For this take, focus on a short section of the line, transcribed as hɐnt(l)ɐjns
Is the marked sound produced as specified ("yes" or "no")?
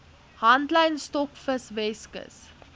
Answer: yes